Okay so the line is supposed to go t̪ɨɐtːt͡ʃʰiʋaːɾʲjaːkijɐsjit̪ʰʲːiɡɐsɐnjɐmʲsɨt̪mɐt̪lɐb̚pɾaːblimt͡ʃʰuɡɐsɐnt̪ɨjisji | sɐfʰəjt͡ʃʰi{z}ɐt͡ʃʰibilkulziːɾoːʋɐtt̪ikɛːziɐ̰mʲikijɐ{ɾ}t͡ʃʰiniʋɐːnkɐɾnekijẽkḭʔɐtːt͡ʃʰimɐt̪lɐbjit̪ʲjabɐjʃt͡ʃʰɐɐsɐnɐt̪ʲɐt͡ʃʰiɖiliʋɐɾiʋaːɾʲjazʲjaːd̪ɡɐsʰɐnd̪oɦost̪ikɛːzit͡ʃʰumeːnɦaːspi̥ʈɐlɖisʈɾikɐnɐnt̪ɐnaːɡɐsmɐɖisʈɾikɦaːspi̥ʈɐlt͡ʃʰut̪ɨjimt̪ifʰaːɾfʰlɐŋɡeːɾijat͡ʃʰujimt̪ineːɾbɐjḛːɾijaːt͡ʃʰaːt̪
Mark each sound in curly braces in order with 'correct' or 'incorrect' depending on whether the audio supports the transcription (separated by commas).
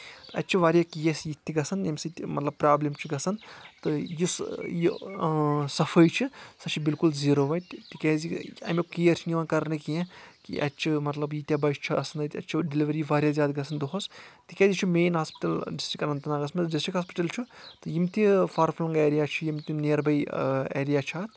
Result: incorrect, correct